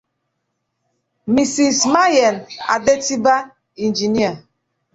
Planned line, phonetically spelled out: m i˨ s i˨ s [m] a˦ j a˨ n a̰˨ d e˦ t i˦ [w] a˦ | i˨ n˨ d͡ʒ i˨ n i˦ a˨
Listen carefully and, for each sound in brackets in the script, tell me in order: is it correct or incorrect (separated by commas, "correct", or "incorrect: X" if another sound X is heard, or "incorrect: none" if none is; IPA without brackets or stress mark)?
correct, incorrect: b